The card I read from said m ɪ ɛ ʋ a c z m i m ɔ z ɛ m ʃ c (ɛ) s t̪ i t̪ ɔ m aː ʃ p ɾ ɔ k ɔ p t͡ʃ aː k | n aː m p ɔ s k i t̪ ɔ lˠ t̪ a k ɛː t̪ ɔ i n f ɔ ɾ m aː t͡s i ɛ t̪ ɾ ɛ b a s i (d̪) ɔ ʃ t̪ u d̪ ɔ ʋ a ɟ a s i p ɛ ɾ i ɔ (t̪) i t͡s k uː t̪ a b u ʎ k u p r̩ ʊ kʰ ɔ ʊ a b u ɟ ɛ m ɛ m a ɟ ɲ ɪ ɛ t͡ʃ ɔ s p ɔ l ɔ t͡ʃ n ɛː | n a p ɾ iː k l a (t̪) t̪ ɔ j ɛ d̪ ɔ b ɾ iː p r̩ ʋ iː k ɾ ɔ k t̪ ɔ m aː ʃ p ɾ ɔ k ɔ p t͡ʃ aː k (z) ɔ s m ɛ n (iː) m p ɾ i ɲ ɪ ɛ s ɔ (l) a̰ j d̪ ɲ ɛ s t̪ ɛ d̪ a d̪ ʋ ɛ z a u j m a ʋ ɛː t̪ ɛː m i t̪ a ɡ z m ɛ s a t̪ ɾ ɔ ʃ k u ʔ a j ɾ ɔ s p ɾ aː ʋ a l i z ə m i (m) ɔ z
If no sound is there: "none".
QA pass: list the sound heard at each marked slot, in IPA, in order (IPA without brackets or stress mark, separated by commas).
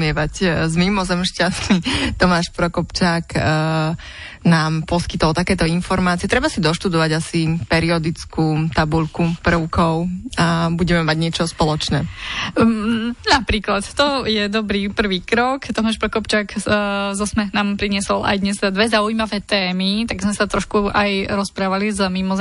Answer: a, d̪, d̪, t̪, z, aː, l, m